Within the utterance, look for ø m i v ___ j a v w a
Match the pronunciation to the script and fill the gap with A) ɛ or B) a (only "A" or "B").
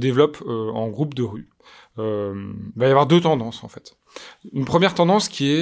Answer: B